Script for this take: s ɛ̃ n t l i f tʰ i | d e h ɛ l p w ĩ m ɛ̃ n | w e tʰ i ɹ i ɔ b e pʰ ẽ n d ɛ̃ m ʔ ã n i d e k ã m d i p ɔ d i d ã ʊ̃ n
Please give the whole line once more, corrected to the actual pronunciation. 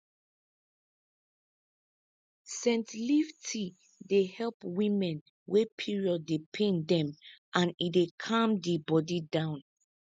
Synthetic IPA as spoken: s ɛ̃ n t l i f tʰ i | d e h ɛ l p w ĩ m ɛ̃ n | w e pʰ i ɹ i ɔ d e pʰ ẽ n d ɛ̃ m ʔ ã n i d e kʰ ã m d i b ɔ d i d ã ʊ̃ n